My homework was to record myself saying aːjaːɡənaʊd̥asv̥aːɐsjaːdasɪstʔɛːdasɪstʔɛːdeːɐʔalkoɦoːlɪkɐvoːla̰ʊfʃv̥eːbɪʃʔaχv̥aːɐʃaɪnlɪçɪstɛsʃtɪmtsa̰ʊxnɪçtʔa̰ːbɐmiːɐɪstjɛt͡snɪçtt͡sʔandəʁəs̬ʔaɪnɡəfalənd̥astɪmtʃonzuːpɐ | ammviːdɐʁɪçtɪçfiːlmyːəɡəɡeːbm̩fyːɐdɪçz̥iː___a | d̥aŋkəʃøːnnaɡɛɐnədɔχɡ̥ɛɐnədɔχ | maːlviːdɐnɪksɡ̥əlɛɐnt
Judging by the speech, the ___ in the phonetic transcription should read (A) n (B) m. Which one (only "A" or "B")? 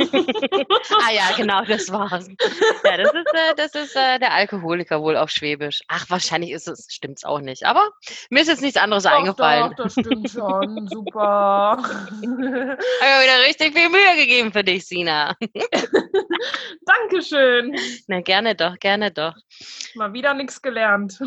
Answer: A